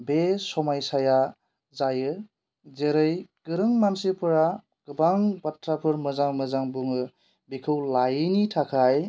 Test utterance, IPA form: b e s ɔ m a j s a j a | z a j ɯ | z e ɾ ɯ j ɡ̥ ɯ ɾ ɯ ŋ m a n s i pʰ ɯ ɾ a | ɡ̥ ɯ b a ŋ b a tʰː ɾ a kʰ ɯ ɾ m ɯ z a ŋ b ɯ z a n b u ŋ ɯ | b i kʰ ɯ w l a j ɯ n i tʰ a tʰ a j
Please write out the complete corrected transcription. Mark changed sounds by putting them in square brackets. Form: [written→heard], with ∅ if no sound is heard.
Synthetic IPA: b e s ɔ m a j s a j a | z a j ɯ | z e ɾ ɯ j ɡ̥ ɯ ɾ ɯ ŋ m a n s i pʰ ɯ ɾ a | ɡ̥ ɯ b a ŋ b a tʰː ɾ a [kʰ→pʰ] ɯ ɾ m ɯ z a ŋ [b→m] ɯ z a [n→ŋ] b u ŋ ɯ | b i kʰ ɯ w l a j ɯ n i tʰ a [tʰ→kʰ] a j